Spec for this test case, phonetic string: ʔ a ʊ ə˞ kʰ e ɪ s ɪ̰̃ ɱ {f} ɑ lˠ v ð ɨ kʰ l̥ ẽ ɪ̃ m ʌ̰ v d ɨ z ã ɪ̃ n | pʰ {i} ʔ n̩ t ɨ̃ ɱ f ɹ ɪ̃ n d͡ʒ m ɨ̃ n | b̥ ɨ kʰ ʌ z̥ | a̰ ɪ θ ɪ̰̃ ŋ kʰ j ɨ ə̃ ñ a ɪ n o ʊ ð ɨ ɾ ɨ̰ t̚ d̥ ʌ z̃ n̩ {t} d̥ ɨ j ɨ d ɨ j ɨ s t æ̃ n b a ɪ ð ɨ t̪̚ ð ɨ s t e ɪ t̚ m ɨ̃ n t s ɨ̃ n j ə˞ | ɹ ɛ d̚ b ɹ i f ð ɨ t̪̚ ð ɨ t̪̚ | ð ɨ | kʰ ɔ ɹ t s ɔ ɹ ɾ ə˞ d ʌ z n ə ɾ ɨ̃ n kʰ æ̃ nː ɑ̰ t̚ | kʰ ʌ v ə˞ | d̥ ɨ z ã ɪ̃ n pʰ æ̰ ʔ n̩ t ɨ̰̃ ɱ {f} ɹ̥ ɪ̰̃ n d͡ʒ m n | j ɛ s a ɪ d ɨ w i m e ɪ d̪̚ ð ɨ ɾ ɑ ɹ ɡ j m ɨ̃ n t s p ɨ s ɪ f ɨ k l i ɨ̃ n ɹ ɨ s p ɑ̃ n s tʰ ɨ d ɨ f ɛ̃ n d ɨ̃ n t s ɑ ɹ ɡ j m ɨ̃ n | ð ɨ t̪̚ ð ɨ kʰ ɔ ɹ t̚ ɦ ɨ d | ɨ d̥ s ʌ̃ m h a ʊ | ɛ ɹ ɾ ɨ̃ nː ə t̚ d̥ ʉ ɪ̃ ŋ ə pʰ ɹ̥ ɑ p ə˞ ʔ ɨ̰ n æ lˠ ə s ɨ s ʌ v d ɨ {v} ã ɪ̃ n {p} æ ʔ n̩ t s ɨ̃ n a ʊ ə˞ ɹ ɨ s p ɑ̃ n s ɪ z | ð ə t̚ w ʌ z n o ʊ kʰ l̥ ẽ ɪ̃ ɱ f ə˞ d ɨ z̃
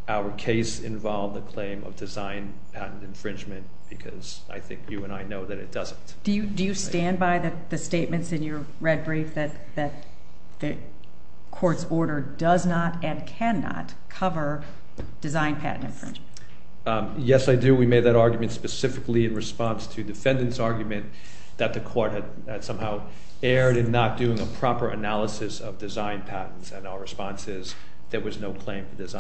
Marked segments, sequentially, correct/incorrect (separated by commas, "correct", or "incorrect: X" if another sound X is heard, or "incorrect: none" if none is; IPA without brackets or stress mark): incorrect: v, incorrect: æ, correct, correct, incorrect: z, incorrect: pʰ